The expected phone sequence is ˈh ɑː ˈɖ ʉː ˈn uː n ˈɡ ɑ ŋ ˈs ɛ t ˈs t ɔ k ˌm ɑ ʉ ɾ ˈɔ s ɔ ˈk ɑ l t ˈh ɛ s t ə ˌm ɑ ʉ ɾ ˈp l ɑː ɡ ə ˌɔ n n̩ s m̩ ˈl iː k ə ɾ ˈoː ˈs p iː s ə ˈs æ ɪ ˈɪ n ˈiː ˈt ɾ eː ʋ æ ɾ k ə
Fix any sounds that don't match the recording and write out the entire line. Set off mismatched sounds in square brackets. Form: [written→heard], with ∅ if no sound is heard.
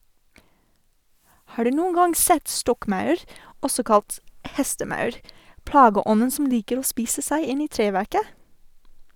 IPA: ˈh ɑː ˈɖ ʉː ˈn uː n ˈɡ ɑ ŋ ˈs ɛ t ˈs t ɔ k ˌm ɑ ʉ ɾ ˈɔ s ɔ ˈk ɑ l t ˈh ɛ s t ə ˌm ɑ ʉ ɾ ˈp l ɑː ɡ ə ˌɔ n n̩ s m̩ ˈl iː k ə ɾ ˈoː ˈs p iː s ə ˈs æ ɪ ˈɪ n ˈiː ˈt ɾ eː ʋ æ ɾ k ə